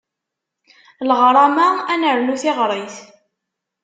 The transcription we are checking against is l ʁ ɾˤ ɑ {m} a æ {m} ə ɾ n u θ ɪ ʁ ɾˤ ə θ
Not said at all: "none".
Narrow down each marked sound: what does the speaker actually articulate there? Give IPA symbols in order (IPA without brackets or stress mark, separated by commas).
m, n